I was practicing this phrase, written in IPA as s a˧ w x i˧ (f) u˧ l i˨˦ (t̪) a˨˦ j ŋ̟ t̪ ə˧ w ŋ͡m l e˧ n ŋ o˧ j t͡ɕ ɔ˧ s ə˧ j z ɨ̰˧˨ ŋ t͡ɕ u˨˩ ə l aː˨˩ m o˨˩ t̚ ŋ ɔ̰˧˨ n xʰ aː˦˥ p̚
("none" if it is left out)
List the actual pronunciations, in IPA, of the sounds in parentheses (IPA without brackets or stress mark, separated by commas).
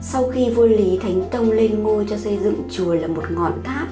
v, t̪ʰ